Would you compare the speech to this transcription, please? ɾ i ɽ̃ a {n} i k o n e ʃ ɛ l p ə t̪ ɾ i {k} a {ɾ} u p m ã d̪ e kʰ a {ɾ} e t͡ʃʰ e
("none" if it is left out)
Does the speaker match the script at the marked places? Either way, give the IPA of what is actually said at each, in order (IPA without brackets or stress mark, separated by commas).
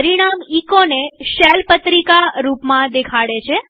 m, k, ɾ, ɽ